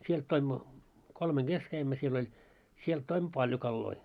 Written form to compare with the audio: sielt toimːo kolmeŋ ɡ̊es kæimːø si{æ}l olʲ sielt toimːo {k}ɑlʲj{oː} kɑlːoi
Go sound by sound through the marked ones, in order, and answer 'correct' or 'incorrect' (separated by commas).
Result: incorrect, incorrect, incorrect